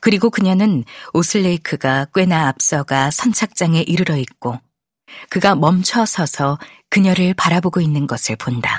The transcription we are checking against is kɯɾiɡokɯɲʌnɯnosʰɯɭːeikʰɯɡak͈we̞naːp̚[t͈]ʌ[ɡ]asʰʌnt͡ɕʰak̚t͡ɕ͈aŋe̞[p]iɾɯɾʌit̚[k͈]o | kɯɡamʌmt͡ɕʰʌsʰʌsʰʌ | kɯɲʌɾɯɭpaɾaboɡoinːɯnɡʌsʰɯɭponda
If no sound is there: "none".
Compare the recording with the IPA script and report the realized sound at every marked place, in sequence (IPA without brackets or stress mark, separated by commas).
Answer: s͈, ɡ, ʔ, k͈